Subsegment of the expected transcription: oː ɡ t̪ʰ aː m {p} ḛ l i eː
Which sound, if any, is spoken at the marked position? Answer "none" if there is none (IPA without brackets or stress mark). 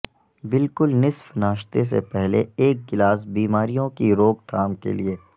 k